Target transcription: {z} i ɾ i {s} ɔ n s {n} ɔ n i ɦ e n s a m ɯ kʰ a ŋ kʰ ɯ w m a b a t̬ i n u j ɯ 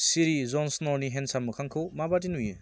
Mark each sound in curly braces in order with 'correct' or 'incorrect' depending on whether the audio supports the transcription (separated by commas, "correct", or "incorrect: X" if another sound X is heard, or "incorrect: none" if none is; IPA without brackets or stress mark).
incorrect: s, incorrect: z, correct